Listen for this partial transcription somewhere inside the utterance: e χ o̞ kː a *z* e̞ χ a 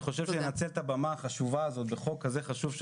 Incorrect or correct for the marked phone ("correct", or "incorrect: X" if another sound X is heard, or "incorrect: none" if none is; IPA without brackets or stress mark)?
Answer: correct